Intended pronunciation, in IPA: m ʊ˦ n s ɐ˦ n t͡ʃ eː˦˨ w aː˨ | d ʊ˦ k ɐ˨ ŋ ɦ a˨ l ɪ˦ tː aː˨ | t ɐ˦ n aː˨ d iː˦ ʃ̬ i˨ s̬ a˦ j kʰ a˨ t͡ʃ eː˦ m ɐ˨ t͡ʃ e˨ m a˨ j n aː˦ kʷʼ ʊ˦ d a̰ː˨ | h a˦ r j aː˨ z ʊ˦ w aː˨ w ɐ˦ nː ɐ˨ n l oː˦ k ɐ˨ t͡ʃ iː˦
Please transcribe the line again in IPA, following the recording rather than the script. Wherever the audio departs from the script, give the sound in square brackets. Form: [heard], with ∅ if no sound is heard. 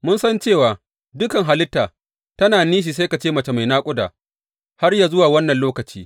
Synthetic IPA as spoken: m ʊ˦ n s ɐ˦ n t͡ʃ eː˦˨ w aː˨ | d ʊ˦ k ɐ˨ ŋ ɦ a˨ l ɪ˦ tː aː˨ | t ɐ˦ n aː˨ [n] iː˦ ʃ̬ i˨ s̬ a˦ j [k] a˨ t͡ʃ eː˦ m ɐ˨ t͡ʃ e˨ m a˨ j n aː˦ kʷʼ ʊ˦ d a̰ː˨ | h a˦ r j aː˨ z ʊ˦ w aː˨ w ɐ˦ nː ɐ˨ n l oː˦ k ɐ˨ t͡ʃ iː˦

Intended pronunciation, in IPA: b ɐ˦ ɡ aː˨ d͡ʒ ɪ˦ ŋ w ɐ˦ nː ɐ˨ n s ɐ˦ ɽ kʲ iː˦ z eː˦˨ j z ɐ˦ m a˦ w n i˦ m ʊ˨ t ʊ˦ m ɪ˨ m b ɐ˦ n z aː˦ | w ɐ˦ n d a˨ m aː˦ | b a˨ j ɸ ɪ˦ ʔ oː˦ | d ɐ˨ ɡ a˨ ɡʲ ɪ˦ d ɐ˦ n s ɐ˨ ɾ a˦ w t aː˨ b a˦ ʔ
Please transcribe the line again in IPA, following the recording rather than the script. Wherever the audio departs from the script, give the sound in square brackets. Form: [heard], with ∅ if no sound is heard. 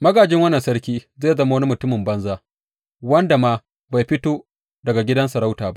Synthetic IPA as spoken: [m] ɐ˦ ɡ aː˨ d͡ʒ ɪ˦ ŋ w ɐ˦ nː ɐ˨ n s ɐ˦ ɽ kʲ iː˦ z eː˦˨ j z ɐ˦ m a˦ w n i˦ m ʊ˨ t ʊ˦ m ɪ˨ m b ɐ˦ n z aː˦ | w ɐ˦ n d a˨ m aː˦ | b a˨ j ɸ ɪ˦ [t] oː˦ | d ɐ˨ ɡ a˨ ɡʲ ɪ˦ d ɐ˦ n s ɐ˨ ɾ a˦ w t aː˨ b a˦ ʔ

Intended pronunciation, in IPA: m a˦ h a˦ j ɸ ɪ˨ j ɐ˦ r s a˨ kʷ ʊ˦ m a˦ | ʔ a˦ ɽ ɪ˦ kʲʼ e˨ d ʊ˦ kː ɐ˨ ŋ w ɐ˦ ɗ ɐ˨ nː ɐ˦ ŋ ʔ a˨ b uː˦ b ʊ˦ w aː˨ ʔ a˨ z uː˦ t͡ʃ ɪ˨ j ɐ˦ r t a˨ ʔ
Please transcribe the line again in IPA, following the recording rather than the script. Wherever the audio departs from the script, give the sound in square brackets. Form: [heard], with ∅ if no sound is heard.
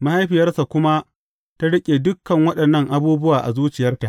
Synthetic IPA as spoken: m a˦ h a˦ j ɸ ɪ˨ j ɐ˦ r s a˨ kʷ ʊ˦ m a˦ | [t] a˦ ɽ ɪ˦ kʲʼ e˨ d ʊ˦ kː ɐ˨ ŋ w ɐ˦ ɗ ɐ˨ nː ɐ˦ ŋ ʔ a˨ b uː˦ b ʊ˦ w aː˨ ʔ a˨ z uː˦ t͡ʃ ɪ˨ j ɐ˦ r t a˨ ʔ

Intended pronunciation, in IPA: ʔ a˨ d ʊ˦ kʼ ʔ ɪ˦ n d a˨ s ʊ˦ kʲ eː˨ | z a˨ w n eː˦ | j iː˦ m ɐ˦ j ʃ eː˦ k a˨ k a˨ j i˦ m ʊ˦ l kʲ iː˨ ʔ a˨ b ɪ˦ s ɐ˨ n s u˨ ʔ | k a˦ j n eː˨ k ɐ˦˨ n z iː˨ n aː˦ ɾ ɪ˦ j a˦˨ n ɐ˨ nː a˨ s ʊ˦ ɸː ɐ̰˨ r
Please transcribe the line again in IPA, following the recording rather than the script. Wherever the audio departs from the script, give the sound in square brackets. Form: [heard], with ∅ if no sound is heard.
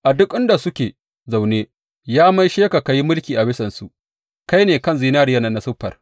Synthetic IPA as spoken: ʔ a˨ d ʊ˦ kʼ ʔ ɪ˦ n d a˨ s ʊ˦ kʲ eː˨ | z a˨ w n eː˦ | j [aː˦] m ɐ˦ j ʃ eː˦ k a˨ k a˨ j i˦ m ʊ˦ l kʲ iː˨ ʔ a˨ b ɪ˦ s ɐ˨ n s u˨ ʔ | k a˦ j n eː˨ k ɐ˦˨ n z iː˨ n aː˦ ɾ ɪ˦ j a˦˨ n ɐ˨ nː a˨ s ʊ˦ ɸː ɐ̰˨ r

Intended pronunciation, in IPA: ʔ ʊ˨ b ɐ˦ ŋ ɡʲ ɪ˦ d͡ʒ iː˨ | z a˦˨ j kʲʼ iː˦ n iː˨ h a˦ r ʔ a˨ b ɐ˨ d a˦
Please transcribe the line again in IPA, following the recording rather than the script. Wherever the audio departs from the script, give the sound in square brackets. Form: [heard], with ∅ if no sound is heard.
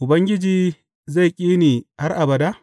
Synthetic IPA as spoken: ʔ ʊ˨ b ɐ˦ ŋ ɡʲ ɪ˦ d͡ʒ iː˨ | z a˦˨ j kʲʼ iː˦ n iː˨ h a˦ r ʔ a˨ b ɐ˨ d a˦

